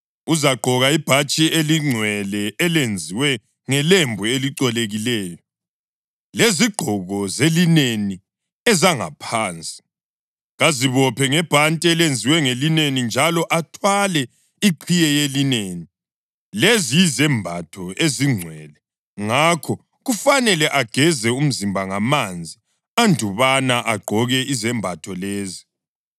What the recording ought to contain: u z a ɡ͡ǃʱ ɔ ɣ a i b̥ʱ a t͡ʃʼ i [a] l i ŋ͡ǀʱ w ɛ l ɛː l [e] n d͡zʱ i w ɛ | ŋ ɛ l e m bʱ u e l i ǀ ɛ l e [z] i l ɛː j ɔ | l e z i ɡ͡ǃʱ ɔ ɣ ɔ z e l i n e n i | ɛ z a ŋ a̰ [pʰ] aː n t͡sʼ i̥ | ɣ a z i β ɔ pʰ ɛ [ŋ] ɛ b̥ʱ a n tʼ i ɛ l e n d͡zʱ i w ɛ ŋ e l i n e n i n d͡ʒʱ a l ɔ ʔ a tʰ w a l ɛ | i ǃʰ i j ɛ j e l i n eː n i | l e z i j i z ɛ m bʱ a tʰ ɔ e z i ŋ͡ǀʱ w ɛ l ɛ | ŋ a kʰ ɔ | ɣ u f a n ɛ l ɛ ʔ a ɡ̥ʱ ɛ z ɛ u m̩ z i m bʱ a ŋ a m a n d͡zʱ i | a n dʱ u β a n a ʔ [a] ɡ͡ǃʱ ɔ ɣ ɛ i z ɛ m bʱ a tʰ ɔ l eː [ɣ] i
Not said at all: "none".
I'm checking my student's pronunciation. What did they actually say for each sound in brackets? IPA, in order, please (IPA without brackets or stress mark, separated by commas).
e, e, ɣ, pʰ, ŋ, a, z